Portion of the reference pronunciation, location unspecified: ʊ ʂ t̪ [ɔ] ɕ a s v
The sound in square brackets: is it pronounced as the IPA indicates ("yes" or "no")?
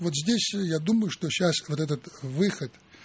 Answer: no